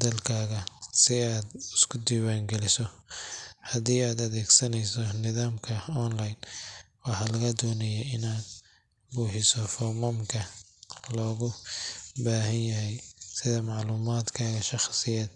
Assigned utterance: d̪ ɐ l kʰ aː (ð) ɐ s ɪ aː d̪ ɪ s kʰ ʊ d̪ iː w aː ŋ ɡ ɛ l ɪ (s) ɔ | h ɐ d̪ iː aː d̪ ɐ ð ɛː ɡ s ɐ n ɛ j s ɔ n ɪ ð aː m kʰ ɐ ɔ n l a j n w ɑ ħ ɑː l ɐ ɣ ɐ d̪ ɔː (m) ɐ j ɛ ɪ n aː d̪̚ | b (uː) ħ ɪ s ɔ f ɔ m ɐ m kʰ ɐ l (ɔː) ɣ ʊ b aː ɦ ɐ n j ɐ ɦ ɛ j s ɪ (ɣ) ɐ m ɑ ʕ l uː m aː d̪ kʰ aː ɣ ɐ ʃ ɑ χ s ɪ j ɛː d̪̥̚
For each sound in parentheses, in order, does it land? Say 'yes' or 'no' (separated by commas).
no, yes, no, yes, yes, no